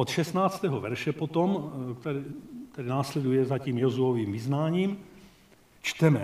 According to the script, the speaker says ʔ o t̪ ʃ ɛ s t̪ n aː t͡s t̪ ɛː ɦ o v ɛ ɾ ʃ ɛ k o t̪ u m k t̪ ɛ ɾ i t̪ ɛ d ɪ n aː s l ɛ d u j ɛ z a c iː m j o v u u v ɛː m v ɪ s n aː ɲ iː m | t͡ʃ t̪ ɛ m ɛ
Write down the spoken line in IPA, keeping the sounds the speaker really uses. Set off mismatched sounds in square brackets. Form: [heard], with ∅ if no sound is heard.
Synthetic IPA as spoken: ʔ o t̪ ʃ ɛ s t̪ n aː t͡s t̪ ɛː ɦ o v ɛ ɾ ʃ ɛ [p] o t̪ [o] m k t̪ ɛ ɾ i t̪ ɛ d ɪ n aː s l ɛ d u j ɛ z a c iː m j o [z] u [o] v [iː] m v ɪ [z] n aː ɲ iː m | t͡ʃ t̪ ɛ m ɛ